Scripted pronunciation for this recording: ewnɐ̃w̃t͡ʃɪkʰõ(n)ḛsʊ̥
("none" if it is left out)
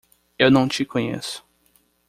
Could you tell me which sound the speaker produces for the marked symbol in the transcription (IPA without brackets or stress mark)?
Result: ɲ